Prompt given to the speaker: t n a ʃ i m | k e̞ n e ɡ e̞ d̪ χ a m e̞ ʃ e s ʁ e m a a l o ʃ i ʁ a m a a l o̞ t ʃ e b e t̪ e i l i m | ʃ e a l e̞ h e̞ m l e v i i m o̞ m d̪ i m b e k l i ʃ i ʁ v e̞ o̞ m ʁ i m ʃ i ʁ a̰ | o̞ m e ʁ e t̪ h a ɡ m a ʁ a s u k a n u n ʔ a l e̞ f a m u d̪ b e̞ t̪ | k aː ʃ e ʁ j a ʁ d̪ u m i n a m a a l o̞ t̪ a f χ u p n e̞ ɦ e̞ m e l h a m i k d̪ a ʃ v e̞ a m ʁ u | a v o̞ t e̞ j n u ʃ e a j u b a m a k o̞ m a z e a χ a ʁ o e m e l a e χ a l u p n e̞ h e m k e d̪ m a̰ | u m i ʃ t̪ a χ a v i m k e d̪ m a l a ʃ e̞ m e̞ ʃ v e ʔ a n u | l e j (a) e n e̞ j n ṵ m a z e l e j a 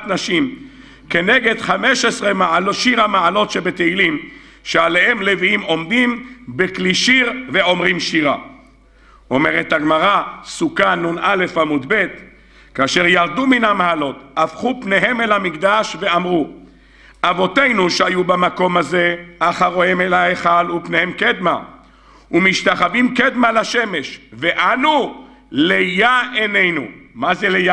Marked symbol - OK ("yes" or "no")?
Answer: yes